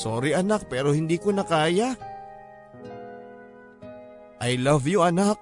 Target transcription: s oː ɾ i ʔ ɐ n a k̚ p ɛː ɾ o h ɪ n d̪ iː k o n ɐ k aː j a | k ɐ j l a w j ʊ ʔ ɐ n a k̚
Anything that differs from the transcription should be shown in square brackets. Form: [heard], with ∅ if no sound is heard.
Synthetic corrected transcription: s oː ɾ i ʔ ɐ n a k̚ p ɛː ɾ o h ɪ n d̪ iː k o n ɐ k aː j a | [ʔ] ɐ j l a [v] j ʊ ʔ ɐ n a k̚